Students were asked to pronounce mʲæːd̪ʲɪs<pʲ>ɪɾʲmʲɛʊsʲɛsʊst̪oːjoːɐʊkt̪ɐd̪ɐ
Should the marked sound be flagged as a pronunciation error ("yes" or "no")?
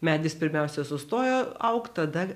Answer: no